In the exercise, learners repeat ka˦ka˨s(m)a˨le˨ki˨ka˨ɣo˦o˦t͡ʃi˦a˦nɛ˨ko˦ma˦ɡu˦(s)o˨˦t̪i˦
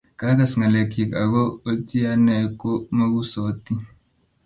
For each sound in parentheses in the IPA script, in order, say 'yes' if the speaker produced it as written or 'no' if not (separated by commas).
no, yes